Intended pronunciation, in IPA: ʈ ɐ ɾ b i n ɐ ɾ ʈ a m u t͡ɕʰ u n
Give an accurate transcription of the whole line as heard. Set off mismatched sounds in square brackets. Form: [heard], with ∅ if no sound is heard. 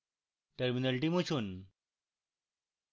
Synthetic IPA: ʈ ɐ ɾ [m] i n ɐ [l] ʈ [i] m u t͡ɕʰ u n

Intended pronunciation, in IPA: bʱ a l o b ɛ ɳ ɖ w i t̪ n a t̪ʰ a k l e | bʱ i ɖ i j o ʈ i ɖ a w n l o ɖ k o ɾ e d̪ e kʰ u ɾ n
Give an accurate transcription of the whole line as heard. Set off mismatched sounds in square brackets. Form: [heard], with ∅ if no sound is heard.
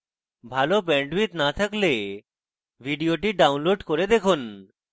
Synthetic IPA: bʱ a l o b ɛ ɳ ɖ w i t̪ n a t̪ʰ a k l e | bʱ i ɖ i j o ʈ i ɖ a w n l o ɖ k o ɾ e d̪ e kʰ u [∅] n

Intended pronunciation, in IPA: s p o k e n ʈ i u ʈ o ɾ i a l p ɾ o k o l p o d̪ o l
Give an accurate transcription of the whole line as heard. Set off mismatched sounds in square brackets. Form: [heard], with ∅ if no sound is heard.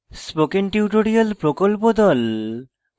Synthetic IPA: s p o k e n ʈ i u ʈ o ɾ i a l p ɾ o k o l p o d̪ [ɔ] l

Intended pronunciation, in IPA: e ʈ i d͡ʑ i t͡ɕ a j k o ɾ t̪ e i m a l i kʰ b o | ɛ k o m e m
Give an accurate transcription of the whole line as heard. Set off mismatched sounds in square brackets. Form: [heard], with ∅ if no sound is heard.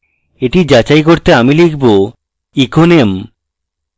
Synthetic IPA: e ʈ i d͡ʑ [a] t͡ɕ a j k o ɾ t̪ e [a] m [i] l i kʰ b o | [i] k o [n] e m

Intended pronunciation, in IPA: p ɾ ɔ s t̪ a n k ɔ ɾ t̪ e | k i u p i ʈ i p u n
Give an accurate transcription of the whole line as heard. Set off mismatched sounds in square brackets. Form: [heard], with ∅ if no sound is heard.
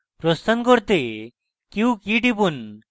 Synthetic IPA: p ɾ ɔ s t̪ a n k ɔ ɾ t̪ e | k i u [k] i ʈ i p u n

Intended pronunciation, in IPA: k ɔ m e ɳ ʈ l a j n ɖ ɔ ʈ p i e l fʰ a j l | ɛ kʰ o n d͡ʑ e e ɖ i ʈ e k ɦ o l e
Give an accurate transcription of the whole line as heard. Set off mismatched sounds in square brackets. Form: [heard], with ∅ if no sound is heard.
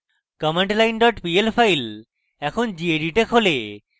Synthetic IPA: k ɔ m e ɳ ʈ l a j n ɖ ɔ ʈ p i e l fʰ a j l | ɛ kʰ o n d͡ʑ [i] e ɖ i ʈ e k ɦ o l e

